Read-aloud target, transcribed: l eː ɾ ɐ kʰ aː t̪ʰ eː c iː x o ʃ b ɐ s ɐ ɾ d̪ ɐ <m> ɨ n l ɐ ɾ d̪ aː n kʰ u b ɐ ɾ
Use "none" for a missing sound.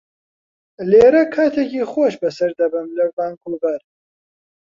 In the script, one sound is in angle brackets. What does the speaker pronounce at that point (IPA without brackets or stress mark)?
b